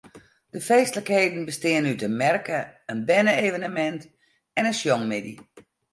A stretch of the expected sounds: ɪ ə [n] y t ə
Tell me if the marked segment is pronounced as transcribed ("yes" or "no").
yes